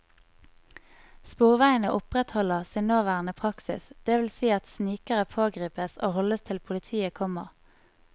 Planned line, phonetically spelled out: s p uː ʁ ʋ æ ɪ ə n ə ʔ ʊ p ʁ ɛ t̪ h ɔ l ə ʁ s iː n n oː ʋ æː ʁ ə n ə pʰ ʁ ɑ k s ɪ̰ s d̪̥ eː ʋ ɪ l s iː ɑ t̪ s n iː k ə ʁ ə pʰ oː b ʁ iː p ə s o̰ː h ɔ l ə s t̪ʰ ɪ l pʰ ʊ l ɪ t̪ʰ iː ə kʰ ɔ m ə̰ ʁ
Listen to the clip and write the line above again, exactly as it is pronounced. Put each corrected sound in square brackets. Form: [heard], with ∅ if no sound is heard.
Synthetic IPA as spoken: s p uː ʁ ʋ æ ɪ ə n ə ʔ ʊ p ʁ ɛ t̪ h ɔ l ə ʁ s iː n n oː ʋ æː ʁ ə n ə pʰ ʁ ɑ k s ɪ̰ s d̪̥ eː ʋ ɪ l s iː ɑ t̪ s n iː k ə ʁ ə pʰ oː [ɡ] ʁ iː p ə s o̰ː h ɔ l ə s t̪ʰ ɪ l pʰ ʊ l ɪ t̪ʰ iː ə kʰ ɔ m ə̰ ʁ

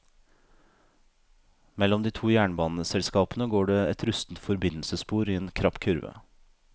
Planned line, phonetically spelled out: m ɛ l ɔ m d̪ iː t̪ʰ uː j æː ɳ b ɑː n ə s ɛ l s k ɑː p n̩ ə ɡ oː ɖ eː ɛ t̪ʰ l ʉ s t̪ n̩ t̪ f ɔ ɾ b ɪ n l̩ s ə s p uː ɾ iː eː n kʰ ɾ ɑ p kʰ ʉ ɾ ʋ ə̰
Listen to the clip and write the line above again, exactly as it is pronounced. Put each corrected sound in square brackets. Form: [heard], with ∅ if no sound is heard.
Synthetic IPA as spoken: m ɛ l ɔ m d̪ iː t̪ʰ uː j æː ɳ b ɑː n ə s ɛ l s k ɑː p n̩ ə ɡ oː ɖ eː ɛ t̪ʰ [ɾ] ʉ s t̪ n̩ t̪ f ɔ ɾ b ɪ n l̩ s ə s p uː ɾ iː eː n kʰ ɾ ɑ p kʰ ʉ ɾ ʋ ə̰

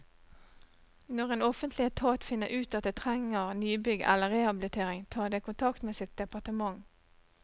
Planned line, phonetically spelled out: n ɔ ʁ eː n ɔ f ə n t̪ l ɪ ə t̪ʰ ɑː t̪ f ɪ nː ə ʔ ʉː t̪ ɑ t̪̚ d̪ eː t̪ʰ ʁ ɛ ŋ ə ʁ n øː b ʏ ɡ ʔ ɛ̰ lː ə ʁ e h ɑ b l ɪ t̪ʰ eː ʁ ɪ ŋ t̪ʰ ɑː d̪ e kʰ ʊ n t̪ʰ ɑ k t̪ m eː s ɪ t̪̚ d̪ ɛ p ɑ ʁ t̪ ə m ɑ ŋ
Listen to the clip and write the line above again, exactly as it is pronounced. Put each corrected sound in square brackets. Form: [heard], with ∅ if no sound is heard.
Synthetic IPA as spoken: n ɔ ʁ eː n ɔ f ə n t̪ l ɪ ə t̪ʰ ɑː t̪ f ɪ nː ə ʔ ʉː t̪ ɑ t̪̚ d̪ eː t̪ʰ ʁ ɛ ŋ ə ʁ n [yː] b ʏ ɡ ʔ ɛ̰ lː ə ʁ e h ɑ b l ɪ t̪ʰ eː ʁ ɪ ŋ t̪ʰ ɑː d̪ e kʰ ʊ n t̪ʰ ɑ k t̪ m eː s ɪ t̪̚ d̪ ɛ p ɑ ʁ t̪ ə m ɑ ŋ

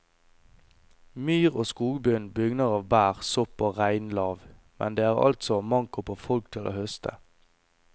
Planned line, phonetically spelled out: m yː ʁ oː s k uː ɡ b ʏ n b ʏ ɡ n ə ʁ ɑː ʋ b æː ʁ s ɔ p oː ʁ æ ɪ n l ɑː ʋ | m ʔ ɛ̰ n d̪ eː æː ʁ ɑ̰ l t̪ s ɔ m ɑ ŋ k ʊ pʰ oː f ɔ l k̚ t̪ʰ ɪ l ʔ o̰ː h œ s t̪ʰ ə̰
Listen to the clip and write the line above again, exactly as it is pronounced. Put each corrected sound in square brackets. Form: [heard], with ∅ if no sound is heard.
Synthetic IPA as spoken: m yː ʁ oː s k uː ɡ b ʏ n b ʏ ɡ n ə ʁ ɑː ʋ b æː ʁ s ɔ p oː ʁ æ ɪ n l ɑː ʋ | m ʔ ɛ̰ n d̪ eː æː ʁ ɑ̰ l t̪ s ɔ m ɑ ŋ k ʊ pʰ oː f ɔ l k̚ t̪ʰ ɪ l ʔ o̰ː h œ s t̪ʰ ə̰

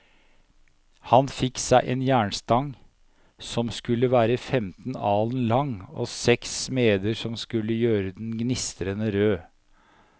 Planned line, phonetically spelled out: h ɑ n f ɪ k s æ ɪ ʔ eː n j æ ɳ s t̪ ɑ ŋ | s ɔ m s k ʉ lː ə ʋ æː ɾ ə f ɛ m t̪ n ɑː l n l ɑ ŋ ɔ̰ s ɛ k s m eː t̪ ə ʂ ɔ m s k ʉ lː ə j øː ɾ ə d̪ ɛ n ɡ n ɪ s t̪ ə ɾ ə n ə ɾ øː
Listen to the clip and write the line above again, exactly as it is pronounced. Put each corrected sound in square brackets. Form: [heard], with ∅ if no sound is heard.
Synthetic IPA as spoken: h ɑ n f ɪ k s æ ɪ ʔ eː n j [æː] ɳ s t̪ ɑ ŋ | s ɔ m s k ʉ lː ə ʋ æː ɾ ə f ɛ m t̪ n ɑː l n l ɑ ŋ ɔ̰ s ɛ k s m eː [d̪] ə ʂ ɔ m s k ʉ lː ə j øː ɾ ə d̪ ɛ n ɡ n ɪ s t̪ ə ɾ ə n ə ɾ øː

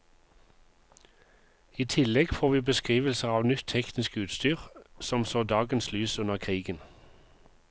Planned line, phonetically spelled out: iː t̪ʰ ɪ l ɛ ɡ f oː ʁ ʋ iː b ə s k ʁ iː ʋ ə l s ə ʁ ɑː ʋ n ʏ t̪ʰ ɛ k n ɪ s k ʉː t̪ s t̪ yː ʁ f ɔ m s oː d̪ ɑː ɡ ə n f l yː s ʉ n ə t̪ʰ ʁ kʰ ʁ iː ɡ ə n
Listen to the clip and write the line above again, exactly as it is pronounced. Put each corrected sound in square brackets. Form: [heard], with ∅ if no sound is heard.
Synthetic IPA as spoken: iː t̪ʰ ɪ l ɛ ɡ f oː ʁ ʋ iː b ə s k ʁ iː ʋ ə l s ə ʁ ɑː ʋ n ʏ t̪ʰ ɛ k n ɪ s k ʉː t̪ s t̪ yː ʁ [s] ɔ m s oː d̪ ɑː ɡ ə n [s] l yː s ʉ n ə [∅] ʁ kʰ ʁ iː ɡ ə n

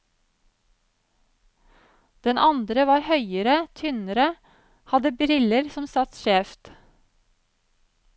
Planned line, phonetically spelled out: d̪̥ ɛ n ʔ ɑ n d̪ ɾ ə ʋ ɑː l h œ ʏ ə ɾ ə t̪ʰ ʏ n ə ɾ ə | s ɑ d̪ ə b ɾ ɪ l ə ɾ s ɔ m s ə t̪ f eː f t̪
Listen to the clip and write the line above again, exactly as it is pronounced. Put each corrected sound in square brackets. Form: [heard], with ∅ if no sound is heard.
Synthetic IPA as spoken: d̪̥ ɛ n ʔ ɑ n d̪ ɾ ə ʋ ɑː [ɾ] h œ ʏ ə ɾ ə t̪ʰ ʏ n ə ɾ ə | [h] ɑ d̪ ə b ɾ ɪ l ə ɾ s ɔ m s [ɑ] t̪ [ʃ] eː f t̪

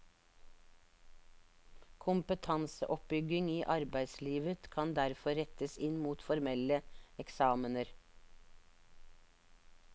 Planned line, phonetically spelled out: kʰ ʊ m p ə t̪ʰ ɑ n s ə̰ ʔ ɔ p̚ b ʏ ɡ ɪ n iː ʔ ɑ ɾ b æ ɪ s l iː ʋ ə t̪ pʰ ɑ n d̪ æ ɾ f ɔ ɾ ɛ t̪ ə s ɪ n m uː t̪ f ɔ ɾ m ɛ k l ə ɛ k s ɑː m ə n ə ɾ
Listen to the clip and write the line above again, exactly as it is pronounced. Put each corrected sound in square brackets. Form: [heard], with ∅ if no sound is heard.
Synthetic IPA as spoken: kʰ ʊ m p ə t̪ʰ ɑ n s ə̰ ʔ ɔ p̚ b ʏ ɡ ɪ [ŋ] iː ʔ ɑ ɾ b æ ɪ s l iː ʋ ə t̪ [kʰ] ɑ n d̪ æ ɾ f ɔ ɾ ɛ t̪ ə s ɪ n m uː t̪ f ɔ ɾ m ɛ [∅] l ə ɛ k s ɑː m ə n ə ɾ

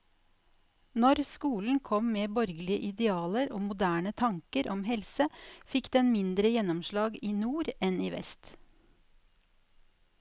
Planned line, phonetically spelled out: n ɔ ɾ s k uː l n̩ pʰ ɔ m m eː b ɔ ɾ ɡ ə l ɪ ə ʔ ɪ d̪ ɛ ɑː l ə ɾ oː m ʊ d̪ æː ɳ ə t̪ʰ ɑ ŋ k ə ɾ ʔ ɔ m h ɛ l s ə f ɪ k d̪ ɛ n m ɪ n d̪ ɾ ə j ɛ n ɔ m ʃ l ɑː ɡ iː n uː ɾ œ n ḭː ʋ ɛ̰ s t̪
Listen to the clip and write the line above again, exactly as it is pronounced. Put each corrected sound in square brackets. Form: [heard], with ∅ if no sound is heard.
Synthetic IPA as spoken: n ɔ ɾ s k uː l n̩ [kʰ] ɔ m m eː b ɔ ɾ ɡ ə l ɪ ə ʔ ɪ d̪ ɛ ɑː l ə ɾ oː m ʊ d̪ æː ɳ ə t̪ʰ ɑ ŋ k ə ɾ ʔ ɔ m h ɛ l s ə f ɪ k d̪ ɛ n m ɪ n d̪ ɾ ə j ɛ n ɔ m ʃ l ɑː ɡ iː n uː ɾ [ɛ] n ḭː ʋ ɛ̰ s t̪

